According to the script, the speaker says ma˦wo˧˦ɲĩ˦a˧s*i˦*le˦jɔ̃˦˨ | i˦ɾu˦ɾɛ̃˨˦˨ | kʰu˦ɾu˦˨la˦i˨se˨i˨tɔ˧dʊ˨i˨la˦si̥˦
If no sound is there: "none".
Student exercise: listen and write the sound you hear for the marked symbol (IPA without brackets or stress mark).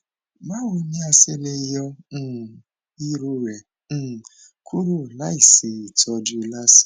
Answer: e˦